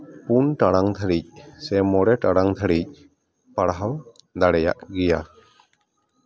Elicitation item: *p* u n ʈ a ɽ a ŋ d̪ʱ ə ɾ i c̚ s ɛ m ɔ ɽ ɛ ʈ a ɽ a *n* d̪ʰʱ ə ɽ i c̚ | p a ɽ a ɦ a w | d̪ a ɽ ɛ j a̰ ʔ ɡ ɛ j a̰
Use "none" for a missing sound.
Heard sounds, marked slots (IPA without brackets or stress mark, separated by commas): p, ŋ